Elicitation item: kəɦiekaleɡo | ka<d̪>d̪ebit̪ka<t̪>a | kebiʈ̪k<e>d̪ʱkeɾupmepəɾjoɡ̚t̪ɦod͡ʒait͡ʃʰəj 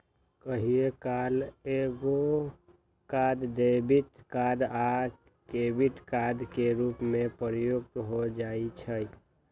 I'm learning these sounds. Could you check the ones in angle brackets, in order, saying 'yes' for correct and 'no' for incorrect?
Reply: yes, no, no

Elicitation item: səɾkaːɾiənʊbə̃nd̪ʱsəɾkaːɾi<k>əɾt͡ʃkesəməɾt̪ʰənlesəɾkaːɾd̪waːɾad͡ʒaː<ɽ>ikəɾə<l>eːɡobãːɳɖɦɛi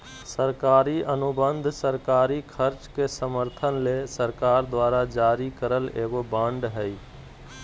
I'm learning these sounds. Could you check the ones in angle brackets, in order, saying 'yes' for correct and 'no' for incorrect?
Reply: no, no, yes

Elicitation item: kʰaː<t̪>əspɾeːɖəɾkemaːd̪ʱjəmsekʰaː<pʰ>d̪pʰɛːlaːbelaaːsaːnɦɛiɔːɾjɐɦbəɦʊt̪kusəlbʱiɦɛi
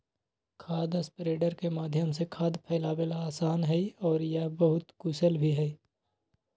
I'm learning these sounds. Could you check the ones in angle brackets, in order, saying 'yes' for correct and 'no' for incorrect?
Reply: no, no

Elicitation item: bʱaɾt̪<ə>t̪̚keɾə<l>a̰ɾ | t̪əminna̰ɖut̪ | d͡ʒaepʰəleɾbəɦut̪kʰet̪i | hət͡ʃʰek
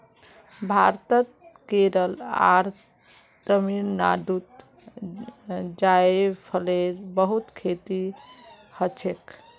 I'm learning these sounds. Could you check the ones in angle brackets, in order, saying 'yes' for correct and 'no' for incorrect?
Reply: yes, yes

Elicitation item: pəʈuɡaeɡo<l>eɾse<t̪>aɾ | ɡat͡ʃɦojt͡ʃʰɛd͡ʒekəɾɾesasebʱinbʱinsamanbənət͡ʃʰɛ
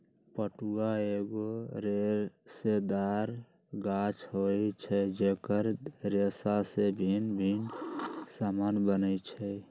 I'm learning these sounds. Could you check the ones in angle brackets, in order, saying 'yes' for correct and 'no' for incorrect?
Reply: no, no

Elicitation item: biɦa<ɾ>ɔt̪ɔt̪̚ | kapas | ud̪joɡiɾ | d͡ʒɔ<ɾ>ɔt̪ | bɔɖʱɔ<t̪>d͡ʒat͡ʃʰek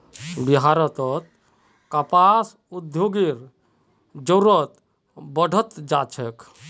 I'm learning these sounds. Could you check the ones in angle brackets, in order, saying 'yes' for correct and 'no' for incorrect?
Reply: yes, yes, yes

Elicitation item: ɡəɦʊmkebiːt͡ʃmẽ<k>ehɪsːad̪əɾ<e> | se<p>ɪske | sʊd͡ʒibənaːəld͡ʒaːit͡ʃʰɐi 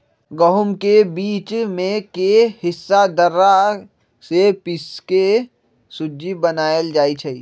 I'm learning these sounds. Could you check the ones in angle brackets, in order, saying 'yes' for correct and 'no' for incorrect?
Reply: yes, no, yes

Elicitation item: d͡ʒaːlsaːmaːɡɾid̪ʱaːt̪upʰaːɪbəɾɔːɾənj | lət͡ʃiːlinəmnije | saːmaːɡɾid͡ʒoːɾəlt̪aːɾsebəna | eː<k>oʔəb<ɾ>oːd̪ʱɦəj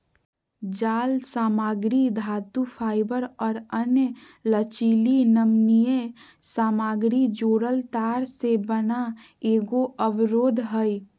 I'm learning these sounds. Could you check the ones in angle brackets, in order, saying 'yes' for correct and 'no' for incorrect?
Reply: no, yes

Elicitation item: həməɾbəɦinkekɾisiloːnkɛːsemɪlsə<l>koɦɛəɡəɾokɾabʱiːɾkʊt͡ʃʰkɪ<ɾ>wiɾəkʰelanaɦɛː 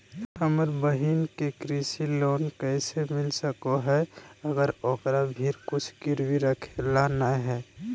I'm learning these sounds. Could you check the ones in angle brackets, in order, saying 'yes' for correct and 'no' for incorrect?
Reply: no, yes

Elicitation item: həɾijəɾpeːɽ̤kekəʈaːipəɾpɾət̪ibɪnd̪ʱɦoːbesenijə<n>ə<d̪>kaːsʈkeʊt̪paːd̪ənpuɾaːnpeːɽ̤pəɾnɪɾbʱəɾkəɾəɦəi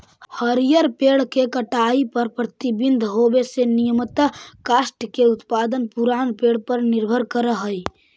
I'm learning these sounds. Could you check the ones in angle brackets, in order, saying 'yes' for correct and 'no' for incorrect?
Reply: no, no

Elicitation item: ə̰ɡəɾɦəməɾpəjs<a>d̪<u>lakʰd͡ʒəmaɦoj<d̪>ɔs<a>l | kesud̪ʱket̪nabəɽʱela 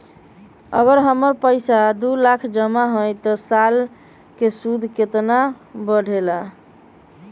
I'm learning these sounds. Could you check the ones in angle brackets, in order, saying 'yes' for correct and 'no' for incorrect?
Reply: yes, yes, no, yes

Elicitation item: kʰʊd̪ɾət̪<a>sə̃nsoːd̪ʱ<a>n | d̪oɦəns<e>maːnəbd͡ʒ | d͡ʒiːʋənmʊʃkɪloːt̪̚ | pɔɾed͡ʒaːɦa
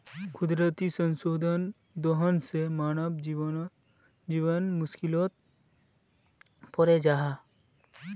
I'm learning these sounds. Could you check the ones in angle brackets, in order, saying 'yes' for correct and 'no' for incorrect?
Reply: no, no, yes

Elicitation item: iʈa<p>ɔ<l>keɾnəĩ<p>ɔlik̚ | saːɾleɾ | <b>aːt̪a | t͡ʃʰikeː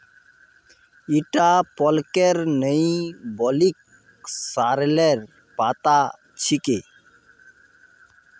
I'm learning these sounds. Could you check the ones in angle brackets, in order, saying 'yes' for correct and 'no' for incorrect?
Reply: yes, yes, no, no

